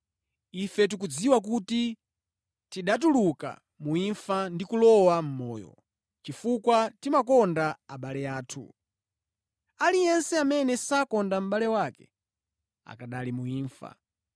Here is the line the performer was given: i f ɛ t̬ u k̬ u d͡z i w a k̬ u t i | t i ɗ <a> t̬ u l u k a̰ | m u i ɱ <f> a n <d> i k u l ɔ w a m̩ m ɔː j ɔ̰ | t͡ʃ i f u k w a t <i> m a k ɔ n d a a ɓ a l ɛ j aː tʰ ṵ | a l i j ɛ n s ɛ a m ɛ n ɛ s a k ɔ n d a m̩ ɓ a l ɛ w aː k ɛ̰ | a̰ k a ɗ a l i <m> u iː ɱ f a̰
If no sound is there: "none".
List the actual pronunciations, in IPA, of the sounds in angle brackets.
a, f, d, i, m

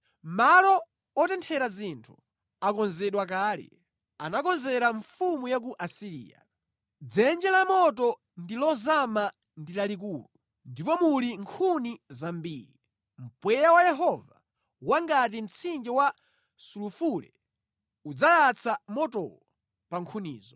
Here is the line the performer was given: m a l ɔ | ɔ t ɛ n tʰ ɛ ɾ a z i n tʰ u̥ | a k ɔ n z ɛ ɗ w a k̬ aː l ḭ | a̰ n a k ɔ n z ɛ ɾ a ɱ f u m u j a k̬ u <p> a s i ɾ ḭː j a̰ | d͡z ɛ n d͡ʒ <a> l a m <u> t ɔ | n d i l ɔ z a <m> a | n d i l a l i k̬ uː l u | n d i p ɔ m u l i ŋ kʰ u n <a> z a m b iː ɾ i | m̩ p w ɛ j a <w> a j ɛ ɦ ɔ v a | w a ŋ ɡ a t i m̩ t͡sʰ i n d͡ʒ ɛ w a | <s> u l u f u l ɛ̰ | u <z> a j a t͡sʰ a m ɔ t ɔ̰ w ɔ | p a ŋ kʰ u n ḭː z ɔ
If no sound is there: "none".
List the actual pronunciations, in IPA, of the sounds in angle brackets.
ʔ, ɛ, ɔ, m, i, w, s, d͡z

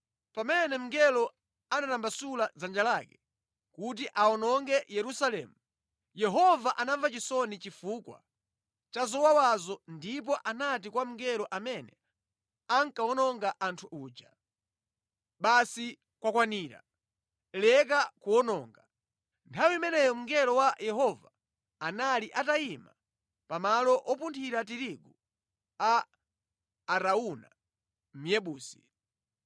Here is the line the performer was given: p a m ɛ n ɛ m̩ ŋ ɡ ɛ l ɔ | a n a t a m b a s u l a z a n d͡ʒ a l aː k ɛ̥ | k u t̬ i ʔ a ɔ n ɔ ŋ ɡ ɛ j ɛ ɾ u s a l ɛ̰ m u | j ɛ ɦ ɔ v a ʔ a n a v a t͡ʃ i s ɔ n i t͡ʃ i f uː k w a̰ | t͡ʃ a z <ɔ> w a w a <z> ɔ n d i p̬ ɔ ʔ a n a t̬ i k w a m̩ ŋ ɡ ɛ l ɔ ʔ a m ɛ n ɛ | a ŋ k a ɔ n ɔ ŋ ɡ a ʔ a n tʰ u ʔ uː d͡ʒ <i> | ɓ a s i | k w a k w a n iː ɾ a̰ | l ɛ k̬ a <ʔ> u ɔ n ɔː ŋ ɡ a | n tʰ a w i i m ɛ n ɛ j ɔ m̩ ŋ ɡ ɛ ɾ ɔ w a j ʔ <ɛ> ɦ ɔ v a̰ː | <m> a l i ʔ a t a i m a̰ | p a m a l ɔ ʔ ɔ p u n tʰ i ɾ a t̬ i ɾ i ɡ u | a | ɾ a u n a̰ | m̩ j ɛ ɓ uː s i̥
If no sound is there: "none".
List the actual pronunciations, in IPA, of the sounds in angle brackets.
ɔ, z, a, k, ɛ, n

